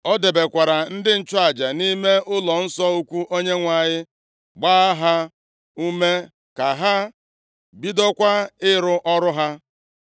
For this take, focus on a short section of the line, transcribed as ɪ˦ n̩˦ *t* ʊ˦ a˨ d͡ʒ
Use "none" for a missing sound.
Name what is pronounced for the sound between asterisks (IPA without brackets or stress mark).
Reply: t͡ʃ